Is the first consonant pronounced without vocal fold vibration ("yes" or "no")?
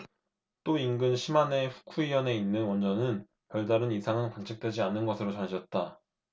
yes